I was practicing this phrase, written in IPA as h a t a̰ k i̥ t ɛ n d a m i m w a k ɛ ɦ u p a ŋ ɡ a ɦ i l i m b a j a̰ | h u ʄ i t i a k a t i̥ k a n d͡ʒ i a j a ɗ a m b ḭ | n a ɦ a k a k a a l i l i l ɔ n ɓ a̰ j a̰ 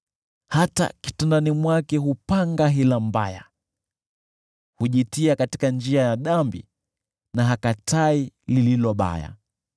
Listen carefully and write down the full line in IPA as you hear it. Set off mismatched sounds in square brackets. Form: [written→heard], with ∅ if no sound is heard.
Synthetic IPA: h a t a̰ k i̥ t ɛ n d a [m→n] i m w a k ɛ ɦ u p a ŋ ɡ a ɦ i l [i→a] m b a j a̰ | h u ʄ i t i a k a t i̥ k a n d͡ʒ i a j a ɗ a m b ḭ | n a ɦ a k a [k→t] a [a→i] l i l i l ɔ [n→∅] ɓ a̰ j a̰